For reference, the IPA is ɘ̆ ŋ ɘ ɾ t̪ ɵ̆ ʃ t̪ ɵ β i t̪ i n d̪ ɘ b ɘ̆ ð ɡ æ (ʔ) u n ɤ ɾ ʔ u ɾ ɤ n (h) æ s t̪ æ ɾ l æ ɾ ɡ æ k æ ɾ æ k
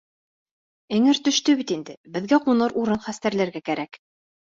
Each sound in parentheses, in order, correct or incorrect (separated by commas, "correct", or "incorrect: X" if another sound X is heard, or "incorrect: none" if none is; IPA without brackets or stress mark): incorrect: q, incorrect: χ